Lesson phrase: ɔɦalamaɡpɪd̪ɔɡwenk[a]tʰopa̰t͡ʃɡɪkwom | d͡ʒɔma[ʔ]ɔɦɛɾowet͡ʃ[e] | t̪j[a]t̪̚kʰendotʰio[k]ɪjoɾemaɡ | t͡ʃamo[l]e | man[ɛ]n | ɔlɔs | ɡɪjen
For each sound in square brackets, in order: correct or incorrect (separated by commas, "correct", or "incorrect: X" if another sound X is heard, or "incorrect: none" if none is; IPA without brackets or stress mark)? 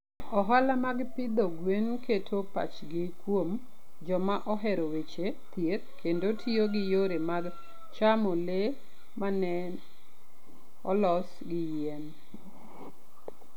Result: incorrect: e, correct, correct, incorrect: e, incorrect: ɡ, correct, correct